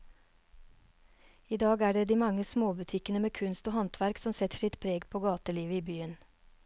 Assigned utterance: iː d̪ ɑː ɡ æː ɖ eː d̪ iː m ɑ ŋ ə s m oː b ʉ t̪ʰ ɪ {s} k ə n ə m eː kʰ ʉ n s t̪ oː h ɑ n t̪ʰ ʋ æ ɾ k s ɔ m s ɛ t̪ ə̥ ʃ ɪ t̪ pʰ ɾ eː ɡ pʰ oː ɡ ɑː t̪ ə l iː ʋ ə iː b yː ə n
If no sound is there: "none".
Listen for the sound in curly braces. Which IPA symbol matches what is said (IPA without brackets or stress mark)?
none